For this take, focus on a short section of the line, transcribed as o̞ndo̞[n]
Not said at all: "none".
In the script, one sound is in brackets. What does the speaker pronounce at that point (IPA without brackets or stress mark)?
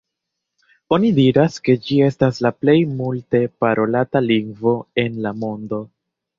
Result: none